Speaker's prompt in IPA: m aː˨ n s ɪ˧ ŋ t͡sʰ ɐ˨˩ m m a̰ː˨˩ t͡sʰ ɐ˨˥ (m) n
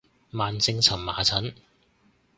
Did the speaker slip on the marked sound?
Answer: yes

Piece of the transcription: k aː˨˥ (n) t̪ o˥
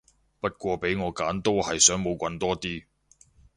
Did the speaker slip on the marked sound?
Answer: no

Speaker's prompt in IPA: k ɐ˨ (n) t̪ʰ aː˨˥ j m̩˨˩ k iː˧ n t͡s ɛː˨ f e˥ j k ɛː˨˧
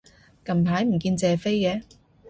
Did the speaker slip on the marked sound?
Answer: yes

